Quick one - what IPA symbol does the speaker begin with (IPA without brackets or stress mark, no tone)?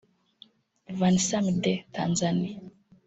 v